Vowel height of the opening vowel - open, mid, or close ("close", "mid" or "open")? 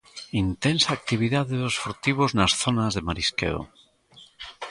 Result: close